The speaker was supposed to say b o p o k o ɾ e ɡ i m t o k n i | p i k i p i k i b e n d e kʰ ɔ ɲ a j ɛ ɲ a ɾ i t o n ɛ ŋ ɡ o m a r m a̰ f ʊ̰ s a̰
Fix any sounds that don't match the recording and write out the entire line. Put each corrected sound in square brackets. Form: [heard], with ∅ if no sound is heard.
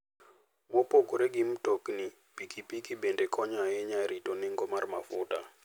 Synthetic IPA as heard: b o p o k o ɾ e ɡ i m t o k n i | p i k i p i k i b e n d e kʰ ɔ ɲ a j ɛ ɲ a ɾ i t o n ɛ ŋ ɡ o m a r m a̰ f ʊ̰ [t] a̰

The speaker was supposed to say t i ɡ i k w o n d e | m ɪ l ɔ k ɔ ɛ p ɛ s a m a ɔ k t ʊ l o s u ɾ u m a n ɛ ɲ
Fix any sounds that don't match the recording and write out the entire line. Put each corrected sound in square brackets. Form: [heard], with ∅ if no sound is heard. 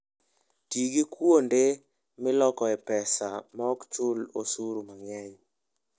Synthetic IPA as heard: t i ɡ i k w o n d e | m ɪ l ɔ k ɔ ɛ p ɛ s a m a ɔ k [t͡ʃ] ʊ l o s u ɾ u m a [ŋ] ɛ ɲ

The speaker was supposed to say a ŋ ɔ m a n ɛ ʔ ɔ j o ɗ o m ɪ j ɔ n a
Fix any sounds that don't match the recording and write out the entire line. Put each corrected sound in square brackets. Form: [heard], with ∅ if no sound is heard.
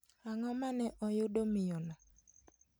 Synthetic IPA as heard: a ŋ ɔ m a n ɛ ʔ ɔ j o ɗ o m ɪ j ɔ n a

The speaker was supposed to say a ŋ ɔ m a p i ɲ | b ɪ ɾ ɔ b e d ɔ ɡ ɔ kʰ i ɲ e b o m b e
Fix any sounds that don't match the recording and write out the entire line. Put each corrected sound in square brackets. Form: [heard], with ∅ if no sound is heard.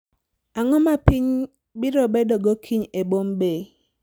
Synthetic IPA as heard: a ŋ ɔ m a p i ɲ | b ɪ ɾ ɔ b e d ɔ ɡ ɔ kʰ i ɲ e b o m b e

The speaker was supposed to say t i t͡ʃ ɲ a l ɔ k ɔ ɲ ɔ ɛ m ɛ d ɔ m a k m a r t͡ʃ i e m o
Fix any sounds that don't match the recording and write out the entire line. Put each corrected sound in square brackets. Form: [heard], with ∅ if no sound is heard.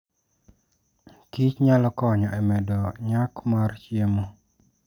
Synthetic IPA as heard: [k] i t͡ʃ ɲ a l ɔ k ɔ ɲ ɔ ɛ m ɛ d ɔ [ɲ] a k m a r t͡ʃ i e m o

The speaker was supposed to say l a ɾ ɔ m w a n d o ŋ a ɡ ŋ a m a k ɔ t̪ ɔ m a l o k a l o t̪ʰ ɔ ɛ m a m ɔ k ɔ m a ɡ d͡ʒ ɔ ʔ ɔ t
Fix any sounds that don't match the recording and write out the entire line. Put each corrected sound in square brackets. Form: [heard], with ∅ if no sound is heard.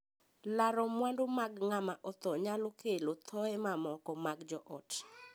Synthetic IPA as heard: l a ɾ ɔ m w a n d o [m] a ɡ ŋ a m a [ʔ] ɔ t̪ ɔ [ɲ] a l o k [e] l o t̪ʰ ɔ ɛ m a m ɔ k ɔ m a ɡ d͡ʒ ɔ ʔ ɔ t

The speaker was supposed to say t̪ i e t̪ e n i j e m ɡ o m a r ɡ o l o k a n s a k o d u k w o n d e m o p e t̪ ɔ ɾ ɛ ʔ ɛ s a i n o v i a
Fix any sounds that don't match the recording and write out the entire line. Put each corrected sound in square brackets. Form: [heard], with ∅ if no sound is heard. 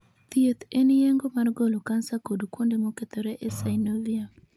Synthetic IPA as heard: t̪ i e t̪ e n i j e [ŋ] ɡ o m a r ɡ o l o k a n s a k o d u k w o n d e m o [k] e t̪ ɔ ɾ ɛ ʔ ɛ s a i n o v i a

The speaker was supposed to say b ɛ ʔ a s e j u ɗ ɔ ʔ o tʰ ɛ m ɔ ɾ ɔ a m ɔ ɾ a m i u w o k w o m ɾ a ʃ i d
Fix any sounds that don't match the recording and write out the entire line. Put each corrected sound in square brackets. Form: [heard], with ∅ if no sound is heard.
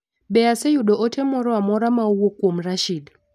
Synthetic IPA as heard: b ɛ [∅] a s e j u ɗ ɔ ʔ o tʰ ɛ m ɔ ɾ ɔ a m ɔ ɾ a m [a] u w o k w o m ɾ a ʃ i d

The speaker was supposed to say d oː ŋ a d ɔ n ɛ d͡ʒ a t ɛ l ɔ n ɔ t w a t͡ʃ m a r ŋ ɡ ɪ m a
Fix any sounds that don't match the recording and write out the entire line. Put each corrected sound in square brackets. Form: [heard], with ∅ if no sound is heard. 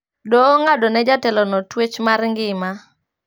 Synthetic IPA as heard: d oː ŋ a d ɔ n ɛ d͡ʒ a t ɛ l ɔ n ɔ t w [e] t͡ʃ m a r ŋ ɡ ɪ m a

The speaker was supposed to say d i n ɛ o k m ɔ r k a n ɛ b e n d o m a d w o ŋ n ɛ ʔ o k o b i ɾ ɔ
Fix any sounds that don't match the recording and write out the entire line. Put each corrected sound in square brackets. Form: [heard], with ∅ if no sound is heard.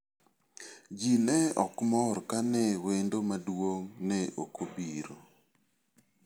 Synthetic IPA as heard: [d͡ʒ] i n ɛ [ɔ] k m ɔ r k a n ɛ [w] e n d o m a d w o ŋ n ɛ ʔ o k o b i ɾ [o]

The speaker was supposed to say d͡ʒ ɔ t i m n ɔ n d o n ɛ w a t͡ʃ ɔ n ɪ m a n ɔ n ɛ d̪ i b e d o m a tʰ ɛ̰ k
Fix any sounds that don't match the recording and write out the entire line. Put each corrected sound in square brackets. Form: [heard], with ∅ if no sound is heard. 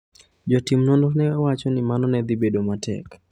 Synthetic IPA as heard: d͡ʒ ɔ t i m n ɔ n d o n ɛ w a t͡ʃ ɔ n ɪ m a n ɔ n ɛ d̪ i b e d o m a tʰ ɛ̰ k

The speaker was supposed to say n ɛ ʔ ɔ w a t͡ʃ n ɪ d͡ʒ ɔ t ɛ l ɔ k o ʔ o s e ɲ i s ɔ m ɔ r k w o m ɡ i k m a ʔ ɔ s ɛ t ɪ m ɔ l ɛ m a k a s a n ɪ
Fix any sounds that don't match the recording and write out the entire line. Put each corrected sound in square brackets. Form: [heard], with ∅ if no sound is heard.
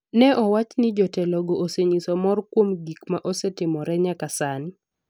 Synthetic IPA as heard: n ɛ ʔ ɔ w a t͡ʃ n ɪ d͡ʒ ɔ t ɛ l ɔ [ɡ] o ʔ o s e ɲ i s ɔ m ɔ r k w o m ɡ i k m a ʔ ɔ s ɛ t ɪ m ɔ [ɾ] ɛ [ɲ] a k a s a n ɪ

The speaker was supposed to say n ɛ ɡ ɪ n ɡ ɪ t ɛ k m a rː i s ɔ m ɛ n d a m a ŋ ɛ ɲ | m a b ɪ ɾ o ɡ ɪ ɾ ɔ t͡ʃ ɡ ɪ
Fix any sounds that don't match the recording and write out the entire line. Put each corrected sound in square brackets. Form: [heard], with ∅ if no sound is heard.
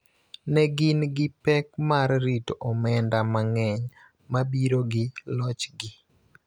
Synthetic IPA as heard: n ɛ ɡ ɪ n ɡ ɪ [p] ɛ k m a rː i [t] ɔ m ɛ n d a m a ŋ ɛ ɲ | m a b [i] ɾ o ɡ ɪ [l] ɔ t͡ʃ ɡ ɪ

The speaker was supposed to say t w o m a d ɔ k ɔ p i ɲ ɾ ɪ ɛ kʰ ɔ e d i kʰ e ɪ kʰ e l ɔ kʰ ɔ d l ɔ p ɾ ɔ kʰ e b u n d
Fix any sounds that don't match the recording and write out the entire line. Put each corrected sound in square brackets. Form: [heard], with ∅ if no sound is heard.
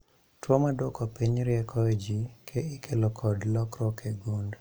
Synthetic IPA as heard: t w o m a d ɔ k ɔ p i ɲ ɾ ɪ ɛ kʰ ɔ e [d͡ʒ] i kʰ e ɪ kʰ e l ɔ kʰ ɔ d l ɔ [k] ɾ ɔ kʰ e [ɡ] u n d

